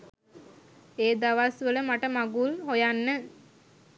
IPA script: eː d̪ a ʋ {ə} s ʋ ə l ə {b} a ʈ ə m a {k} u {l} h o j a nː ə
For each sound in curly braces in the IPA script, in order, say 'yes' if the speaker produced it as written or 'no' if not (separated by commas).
no, no, no, yes